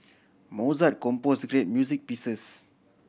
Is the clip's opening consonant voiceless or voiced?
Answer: voiced